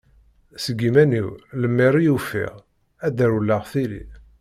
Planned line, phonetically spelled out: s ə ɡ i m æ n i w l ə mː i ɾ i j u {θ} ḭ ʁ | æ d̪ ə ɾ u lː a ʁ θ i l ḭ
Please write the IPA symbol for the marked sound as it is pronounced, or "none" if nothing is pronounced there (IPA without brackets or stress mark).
f